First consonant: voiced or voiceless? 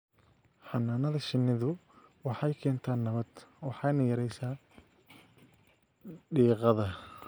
voiceless